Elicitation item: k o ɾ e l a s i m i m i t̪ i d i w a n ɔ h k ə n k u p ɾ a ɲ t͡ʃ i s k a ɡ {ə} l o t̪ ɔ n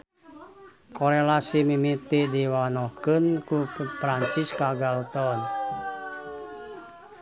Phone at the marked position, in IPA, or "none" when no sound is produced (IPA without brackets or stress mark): a